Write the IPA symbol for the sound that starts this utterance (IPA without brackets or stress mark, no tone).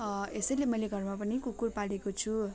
e